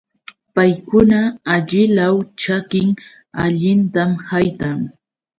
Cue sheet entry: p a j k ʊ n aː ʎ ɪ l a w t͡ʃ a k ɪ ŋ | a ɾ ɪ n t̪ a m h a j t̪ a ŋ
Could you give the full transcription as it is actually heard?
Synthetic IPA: p a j k ʊ n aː ʎ ɪ l a w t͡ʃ a k ɪ ŋ | a ʎ ɪ n t̪ a m h a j t̪ a ŋ